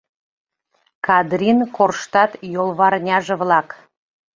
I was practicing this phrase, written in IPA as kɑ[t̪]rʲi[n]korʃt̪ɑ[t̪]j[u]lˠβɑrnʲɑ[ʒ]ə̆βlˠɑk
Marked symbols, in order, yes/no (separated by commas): no, yes, yes, no, yes